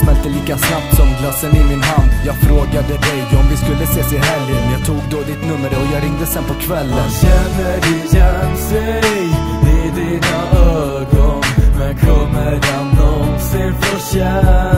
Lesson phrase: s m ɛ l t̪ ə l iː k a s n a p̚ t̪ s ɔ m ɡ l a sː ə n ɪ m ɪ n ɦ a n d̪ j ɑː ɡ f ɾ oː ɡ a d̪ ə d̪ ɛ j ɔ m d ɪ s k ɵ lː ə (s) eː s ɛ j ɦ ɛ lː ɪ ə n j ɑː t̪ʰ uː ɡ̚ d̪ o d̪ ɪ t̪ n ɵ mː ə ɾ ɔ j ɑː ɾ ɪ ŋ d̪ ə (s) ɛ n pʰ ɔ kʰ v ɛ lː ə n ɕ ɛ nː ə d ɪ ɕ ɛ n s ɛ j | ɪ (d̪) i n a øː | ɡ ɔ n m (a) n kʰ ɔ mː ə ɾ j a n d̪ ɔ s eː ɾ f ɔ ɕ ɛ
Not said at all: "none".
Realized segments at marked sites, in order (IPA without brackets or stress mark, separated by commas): s, s, d̪, ɛ